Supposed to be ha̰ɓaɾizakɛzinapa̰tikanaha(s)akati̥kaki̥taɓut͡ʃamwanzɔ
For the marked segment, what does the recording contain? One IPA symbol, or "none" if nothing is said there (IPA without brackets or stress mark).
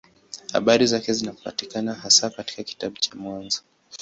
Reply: s